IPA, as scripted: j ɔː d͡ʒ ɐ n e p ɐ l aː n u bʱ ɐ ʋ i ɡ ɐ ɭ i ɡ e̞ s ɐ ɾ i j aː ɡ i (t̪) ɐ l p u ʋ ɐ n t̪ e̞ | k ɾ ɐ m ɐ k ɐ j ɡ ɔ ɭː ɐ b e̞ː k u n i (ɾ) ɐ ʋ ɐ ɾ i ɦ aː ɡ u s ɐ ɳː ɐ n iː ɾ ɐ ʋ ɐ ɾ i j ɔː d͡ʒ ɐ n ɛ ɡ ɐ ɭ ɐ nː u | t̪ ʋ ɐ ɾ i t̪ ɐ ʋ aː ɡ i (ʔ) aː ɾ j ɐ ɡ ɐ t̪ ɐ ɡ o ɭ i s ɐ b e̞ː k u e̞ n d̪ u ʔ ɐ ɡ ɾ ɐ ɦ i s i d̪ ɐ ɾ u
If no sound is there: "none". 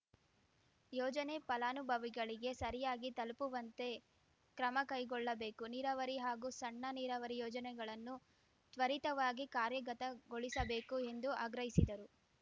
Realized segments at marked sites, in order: t̪, ɾ, k

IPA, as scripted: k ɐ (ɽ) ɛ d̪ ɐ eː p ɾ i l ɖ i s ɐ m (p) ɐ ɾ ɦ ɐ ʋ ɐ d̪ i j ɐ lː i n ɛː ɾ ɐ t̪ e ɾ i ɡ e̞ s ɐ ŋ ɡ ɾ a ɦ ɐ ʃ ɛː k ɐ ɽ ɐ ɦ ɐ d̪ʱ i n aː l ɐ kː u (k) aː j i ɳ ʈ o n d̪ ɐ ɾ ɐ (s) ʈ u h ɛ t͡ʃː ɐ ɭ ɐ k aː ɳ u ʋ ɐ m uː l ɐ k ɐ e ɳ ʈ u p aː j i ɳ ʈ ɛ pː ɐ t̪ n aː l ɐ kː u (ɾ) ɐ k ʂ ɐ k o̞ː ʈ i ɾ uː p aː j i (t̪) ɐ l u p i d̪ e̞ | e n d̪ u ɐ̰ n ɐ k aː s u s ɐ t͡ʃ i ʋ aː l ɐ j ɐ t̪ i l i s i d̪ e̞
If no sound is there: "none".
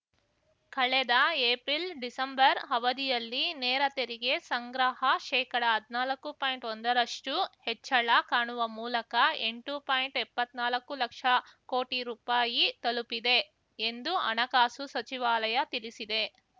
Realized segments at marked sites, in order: ɭ, b, p, ʂ, l, t̪

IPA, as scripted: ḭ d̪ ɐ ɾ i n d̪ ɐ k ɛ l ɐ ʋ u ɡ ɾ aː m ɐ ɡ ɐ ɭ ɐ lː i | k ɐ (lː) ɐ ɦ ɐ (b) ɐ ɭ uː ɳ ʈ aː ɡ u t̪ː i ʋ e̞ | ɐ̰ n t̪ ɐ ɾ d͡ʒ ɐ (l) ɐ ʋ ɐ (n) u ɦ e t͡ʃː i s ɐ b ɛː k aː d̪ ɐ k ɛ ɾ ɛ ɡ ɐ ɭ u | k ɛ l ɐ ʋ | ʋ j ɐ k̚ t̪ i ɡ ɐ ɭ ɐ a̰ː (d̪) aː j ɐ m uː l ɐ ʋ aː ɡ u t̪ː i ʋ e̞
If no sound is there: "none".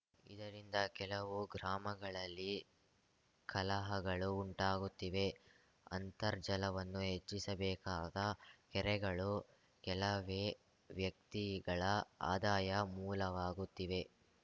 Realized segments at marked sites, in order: l, ɡ, l, nː, d̪

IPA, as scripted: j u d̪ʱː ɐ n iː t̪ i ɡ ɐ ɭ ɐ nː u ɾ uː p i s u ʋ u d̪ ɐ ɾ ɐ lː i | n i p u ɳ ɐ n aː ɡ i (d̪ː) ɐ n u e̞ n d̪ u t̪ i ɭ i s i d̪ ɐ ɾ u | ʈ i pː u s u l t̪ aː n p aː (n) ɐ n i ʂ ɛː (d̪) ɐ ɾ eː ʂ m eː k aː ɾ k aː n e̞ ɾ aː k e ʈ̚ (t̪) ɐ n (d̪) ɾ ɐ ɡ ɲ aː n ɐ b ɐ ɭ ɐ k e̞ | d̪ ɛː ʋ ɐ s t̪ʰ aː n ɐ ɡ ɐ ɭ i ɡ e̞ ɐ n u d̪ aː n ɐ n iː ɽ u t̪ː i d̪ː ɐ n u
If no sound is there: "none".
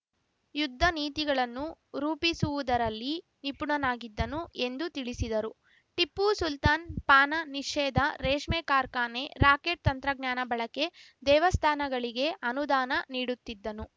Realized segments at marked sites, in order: d̪ː, n, d̪, t̪, t̪

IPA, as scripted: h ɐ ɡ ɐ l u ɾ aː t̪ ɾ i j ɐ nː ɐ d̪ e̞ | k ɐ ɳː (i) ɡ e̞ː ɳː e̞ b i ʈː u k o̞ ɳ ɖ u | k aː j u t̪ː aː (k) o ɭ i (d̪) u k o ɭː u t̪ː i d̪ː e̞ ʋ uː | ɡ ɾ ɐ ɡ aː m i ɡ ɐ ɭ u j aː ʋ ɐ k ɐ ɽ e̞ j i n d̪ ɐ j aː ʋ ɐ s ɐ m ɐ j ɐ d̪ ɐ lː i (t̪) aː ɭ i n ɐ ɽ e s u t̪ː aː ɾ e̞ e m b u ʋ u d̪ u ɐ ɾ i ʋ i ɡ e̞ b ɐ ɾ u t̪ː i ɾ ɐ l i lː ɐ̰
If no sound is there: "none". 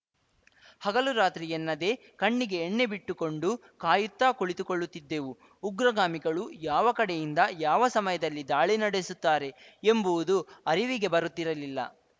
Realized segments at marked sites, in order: i, k, t̪, d̪

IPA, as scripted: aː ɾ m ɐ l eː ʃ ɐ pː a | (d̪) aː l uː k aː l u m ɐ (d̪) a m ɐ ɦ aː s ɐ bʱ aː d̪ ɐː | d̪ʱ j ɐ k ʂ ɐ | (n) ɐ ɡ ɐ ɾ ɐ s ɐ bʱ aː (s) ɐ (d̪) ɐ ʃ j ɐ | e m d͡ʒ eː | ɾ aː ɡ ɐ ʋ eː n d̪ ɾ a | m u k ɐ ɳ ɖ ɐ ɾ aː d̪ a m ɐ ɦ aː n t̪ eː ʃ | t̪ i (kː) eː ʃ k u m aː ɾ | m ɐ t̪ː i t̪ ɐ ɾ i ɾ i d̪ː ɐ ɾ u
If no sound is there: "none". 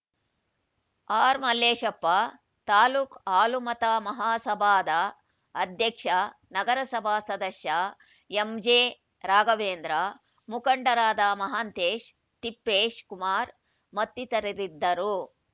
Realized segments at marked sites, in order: t̪, t̪, n, s, d̪, pː

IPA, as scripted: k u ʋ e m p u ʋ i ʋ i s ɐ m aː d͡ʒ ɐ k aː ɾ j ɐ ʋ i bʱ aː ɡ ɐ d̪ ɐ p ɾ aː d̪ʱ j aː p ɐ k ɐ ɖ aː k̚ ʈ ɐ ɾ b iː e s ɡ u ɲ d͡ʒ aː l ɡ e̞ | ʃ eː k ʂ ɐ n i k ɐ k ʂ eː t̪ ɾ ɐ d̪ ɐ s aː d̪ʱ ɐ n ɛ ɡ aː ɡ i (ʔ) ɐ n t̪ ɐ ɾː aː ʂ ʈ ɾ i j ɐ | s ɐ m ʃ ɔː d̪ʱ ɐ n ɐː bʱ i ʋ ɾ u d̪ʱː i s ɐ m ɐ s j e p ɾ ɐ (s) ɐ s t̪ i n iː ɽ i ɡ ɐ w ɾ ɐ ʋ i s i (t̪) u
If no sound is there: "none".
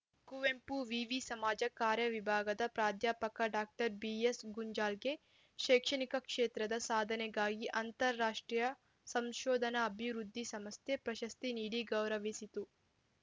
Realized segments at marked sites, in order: ʔ, ʃ, t̪

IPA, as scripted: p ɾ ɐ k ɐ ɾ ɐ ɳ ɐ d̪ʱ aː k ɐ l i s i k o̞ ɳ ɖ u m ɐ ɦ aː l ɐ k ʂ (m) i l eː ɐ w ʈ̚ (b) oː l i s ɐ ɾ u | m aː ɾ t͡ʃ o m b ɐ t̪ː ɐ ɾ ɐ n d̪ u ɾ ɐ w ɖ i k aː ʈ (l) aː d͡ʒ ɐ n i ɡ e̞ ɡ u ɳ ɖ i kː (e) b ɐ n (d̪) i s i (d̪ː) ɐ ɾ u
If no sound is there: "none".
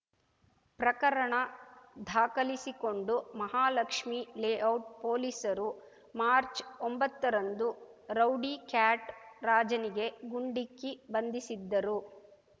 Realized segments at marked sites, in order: m, p, ɾ, i, d̪, d̪ː

